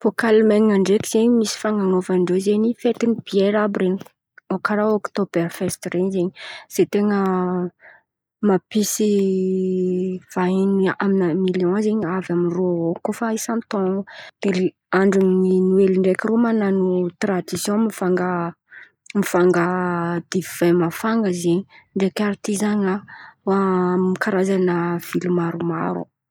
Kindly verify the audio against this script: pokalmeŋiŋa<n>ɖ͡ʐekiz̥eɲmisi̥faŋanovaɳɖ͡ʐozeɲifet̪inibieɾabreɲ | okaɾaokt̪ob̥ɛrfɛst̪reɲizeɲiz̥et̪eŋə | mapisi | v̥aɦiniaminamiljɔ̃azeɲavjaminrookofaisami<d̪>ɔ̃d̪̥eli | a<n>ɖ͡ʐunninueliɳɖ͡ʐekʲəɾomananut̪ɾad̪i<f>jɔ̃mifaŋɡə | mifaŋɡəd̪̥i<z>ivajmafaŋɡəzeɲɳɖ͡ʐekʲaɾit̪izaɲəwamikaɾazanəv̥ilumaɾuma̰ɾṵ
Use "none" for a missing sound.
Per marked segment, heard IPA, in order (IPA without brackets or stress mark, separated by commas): ɳ, t̪, ɳ, s, v